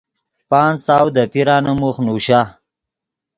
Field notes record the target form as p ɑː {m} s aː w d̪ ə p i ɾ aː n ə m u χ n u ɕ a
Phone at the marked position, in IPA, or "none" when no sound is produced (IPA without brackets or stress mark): n